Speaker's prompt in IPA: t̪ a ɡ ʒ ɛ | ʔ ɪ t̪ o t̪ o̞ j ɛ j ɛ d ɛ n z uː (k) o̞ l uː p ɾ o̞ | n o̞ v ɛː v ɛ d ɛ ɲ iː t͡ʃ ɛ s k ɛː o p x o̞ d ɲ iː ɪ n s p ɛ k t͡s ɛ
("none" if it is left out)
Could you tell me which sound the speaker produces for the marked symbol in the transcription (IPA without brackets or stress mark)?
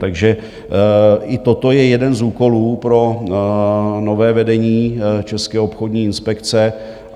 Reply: k